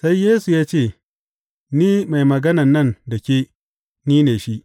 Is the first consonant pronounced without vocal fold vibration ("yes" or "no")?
yes